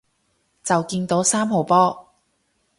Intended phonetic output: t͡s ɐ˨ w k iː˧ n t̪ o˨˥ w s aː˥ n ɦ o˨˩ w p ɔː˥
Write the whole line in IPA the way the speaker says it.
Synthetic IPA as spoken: t͡s ɐ˨ w k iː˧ n t̪ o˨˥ w s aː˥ m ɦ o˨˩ w p ɔː˥